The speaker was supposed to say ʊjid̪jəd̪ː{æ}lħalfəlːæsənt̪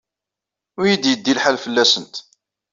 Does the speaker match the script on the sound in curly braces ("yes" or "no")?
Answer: no